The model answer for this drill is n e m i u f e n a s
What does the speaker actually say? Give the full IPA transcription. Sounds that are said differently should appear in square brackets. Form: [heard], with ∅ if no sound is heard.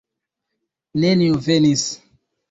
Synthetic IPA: n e [n] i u [v] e n [i] s